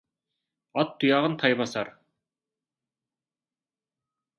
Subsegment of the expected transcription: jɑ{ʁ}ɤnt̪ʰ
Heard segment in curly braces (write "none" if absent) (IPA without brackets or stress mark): ʁ